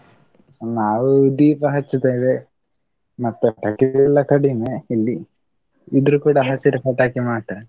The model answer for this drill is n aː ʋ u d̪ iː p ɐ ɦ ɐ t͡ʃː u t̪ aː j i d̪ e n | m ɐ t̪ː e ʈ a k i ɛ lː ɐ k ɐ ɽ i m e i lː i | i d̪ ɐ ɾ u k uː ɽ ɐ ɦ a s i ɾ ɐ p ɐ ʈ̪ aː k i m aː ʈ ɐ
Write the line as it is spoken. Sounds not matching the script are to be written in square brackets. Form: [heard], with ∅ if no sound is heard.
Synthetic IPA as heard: n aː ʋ u d̪ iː p ɐ ɦ ɐ t͡ʃː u t̪ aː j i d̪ e [∅] | m ɐ t̪ː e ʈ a k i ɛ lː ɐ k ɐ ɽ i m e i lː i | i d̪ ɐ ɾ u k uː ɽ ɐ ɦ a s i ɾ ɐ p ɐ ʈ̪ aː k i m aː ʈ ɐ

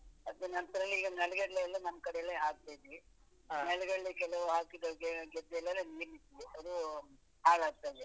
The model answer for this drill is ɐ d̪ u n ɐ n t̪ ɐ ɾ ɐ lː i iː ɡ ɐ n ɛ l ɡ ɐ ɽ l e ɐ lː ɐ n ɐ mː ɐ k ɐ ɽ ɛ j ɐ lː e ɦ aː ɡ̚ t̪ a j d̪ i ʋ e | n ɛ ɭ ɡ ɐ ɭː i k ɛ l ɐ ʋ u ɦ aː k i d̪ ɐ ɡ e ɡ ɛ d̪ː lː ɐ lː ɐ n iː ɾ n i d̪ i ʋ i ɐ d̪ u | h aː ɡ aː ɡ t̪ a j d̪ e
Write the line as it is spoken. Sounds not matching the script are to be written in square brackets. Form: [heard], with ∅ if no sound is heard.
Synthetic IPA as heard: ɐ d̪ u n ɐ n t̪ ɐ ɾ ɐ lː i iː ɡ ɐ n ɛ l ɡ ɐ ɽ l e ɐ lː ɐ n ɐ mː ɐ k ɐ ɽ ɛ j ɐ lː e ɦ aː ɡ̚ t̪ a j d̪ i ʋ [i] | n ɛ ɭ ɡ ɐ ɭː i k ɛ l ɐ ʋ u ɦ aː k i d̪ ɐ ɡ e ɡ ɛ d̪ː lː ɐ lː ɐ n iː ɾ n i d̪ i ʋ i ɐ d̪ u | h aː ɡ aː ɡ t̪ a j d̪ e

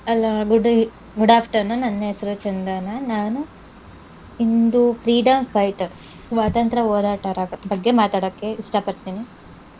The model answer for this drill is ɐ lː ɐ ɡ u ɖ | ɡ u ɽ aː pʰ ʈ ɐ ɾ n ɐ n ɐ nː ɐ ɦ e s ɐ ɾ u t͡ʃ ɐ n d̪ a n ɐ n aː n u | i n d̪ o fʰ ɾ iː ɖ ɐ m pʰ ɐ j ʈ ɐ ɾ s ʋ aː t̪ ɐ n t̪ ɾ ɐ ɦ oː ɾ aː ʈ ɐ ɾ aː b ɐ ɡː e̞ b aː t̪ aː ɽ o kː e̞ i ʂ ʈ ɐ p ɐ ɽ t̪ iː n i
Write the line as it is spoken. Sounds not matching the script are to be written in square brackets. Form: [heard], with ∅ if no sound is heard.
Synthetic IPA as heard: ɐ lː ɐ ɡ u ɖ | ɡ u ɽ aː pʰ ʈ ɐ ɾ n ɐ n ɐ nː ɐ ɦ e s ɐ ɾ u t͡ʃ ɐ n d̪ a n ɐ n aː n u | i n d̪ [u] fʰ ɾ iː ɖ ɐ m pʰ ɐ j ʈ ɐ ɾ s ʋ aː t̪ ɐ n t̪ ɾ ɐ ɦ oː ɾ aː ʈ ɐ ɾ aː b ɐ ɡː e̞ [m] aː t̪ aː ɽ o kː e̞ i ʂ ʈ ɐ p ɐ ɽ t̪ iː n i

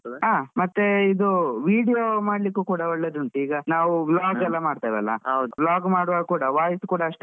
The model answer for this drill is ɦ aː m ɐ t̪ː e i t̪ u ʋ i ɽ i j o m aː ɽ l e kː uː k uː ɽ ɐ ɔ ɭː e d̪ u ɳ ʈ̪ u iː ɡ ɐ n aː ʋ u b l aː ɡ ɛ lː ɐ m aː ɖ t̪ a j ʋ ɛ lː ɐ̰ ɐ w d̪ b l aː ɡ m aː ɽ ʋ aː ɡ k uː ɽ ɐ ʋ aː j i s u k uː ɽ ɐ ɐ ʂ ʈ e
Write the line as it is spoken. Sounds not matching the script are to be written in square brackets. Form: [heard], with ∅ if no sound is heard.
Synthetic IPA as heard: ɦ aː m ɐ t̪ː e i [d̪] u ʋ [iː] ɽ i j o m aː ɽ l [i] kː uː k uː ɽ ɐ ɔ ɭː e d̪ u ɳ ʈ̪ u iː ɡ ɐ n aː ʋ u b l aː ɡ ɛ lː ɐ m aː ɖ t̪ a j ʋ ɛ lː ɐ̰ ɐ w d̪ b l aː ɡ m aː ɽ ʋ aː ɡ k uː ɽ ɐ ʋ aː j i s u k uː ɽ ɐ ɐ ʂ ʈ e

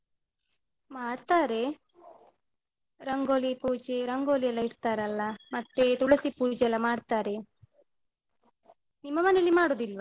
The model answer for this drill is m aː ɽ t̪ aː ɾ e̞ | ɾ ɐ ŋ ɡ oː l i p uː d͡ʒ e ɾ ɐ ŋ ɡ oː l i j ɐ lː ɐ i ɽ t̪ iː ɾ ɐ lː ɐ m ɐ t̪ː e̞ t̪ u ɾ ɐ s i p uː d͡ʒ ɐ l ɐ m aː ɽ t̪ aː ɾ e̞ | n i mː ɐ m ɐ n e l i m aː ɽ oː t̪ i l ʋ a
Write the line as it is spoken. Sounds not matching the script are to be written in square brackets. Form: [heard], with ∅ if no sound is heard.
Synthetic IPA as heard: m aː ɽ t̪ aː ɾ e̞ | ɾ ɐ ŋ ɡ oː l i p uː d͡ʒ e ɾ ɐ ŋ ɡ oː l i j ɐ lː ɐ i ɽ t̪ [aː] ɾ ɐ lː ɐ m ɐ t̪ː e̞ t̪ u [ɽ] ɐ s i p uː d͡ʒ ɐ l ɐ m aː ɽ t̪ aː ɾ e̞ | n i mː ɐ m ɐ n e l i m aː ɽ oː [d̪] i l ʋ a

